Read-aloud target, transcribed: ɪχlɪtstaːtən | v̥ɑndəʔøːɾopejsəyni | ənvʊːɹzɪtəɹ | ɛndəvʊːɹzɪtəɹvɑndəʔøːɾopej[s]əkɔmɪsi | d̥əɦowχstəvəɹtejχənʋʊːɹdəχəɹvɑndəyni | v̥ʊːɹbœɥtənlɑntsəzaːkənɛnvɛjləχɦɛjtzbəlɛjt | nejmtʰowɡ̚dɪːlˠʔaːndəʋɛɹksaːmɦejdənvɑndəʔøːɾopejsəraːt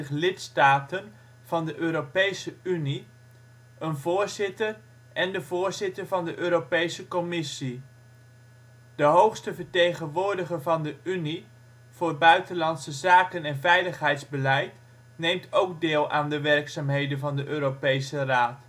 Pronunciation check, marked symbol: correct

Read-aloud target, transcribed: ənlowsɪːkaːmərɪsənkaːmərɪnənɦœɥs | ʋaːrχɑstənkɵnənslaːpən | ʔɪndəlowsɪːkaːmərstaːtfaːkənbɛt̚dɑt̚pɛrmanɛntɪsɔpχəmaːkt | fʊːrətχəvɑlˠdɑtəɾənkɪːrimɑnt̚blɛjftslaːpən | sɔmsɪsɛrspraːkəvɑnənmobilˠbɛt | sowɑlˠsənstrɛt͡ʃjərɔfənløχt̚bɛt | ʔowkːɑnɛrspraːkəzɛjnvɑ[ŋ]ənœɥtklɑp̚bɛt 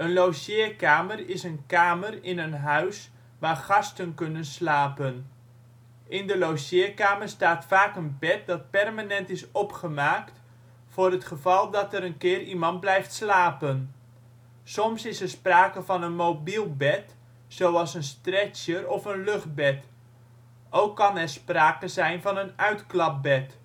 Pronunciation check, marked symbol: incorrect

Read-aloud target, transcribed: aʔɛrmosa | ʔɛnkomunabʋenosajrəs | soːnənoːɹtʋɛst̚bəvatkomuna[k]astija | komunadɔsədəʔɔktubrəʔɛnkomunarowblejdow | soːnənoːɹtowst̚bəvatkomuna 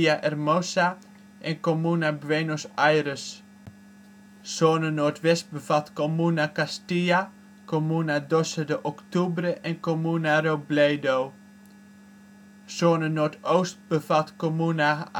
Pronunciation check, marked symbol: correct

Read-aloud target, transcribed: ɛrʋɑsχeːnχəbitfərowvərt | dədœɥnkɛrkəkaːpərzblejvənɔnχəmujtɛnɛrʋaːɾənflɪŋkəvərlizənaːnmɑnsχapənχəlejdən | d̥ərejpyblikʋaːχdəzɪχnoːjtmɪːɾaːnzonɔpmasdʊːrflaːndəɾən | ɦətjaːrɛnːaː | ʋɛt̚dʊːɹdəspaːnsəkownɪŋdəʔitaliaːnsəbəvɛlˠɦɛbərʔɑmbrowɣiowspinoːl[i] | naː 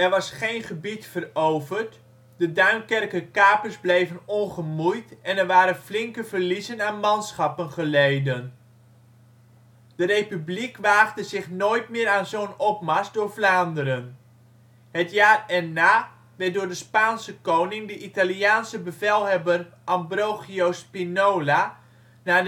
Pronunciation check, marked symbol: incorrect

